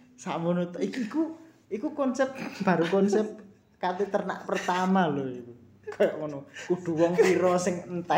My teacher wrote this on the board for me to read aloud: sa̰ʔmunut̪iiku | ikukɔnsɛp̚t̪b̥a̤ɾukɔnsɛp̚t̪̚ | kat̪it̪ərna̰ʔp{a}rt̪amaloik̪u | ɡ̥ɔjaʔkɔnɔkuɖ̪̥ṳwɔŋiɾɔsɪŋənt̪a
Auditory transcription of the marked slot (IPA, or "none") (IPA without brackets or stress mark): ə